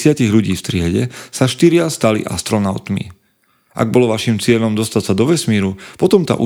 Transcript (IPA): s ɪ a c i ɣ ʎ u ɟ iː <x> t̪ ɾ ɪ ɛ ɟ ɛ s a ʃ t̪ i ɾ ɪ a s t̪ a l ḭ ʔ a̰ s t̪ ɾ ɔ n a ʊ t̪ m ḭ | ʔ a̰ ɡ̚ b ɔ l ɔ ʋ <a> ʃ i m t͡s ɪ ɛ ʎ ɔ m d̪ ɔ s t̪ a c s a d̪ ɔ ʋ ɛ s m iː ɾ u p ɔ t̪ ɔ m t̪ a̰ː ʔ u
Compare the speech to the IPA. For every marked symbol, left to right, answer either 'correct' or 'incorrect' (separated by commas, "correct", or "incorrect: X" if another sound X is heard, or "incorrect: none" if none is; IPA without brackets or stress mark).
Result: incorrect: f, correct